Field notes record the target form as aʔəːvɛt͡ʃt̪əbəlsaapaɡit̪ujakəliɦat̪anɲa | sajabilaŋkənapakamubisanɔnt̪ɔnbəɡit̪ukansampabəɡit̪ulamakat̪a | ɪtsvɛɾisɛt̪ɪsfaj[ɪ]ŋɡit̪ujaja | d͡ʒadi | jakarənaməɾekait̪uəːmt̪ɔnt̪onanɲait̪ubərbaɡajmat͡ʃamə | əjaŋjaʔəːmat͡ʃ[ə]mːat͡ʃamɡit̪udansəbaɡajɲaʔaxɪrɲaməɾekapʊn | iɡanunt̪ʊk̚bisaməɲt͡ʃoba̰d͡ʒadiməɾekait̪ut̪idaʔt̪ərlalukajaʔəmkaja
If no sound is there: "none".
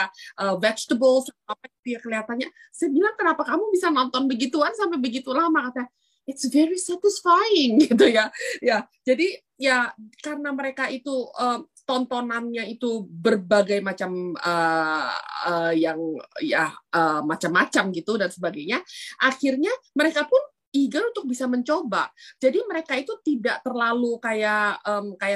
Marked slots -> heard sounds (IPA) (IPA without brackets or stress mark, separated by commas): ɪ, a